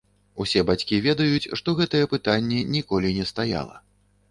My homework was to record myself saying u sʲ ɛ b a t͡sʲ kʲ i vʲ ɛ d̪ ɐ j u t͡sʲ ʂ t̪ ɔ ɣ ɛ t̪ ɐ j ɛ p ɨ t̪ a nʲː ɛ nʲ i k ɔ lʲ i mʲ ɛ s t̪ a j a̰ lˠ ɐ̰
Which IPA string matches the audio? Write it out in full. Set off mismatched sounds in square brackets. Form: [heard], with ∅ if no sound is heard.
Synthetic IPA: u sʲ ɛ b a t͡sʲ kʲ i vʲ ɛ d̪ ɐ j u t͡sʲ ʂ t̪ ɔ ɣ ɛ t̪ ɐ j ɛ p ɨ t̪ a nʲː ɛ nʲ i k ɔ lʲ i [nʲ] ɛ s t̪ a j a̰ lˠ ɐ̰